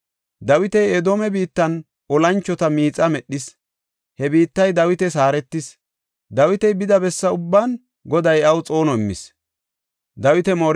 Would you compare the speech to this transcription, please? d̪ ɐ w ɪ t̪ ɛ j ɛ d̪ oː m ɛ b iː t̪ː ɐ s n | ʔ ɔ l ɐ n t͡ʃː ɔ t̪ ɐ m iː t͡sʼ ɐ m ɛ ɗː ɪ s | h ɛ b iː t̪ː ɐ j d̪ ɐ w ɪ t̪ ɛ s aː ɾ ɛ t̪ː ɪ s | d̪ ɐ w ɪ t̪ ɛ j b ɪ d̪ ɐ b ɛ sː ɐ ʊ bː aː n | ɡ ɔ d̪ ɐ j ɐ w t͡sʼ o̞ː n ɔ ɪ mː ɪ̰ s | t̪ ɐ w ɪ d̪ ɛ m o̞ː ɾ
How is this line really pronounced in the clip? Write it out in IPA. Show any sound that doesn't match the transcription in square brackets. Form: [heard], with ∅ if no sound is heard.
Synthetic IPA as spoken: d̪ ɐ w ɪ t̪ ɛ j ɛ d̪ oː m ɛ b iː t̪ː ɐ [∅] n | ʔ ɔ l ɐ n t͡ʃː ɔ t̪ ɐ m iː t͡sʼ ɐ m ɛ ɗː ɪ s | h ɛ b iː t̪ː ɐ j d̪ ɐ w ɪ t̪ ɛ s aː ɾ ɛ t̪ː ɪ s | d̪ ɐ w ɪ t̪ ɛ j b ɪ d̪ ɐ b ɛ sː ɐ ʊ bː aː n | ɡ ɔ d̪ ɐ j ɐ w t͡sʼ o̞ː n ɔ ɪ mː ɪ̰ s | [d̪] ɐ w ɪ [t̪] ɛ m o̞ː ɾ